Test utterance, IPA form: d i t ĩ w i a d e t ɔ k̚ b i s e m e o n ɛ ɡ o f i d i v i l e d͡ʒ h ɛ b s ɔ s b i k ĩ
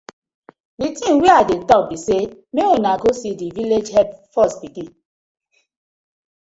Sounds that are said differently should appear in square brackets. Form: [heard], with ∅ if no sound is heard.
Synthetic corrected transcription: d i t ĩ w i a d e t ɔ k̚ b i s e m e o n [a] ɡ o [s] i d i v i l e d͡ʒ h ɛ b [f] ɔ s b i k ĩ